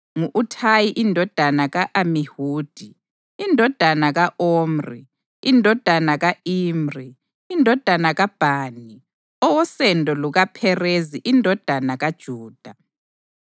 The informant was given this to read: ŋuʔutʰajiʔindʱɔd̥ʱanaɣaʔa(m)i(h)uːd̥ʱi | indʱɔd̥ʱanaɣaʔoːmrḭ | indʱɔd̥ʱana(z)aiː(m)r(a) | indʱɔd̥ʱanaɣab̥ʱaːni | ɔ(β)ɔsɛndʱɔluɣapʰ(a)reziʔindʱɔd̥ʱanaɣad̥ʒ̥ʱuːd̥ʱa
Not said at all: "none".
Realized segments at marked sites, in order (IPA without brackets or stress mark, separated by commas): m, h, ɣ, m, i, w, ɛ